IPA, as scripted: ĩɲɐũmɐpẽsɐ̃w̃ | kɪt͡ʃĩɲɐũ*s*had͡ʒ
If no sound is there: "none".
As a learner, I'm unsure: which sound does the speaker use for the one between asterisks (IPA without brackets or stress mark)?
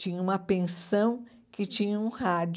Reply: none